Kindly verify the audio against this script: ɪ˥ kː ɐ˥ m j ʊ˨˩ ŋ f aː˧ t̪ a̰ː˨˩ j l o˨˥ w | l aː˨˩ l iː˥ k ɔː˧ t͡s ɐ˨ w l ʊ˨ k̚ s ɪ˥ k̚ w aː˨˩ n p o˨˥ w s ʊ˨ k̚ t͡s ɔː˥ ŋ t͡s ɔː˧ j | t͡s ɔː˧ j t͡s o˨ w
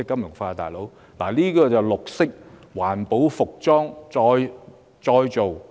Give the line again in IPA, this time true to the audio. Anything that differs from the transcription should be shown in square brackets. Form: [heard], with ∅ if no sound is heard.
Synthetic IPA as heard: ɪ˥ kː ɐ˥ m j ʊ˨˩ ŋ f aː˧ t̪ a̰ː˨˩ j l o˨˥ w | l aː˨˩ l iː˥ k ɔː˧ t͡s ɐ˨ w l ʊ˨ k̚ s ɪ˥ k̚ w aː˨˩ n p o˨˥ w [f] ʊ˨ k̚ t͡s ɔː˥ ŋ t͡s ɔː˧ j | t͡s ɔː˧ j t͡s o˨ w